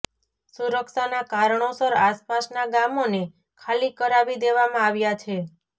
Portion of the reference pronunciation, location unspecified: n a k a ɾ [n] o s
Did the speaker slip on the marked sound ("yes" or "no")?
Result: yes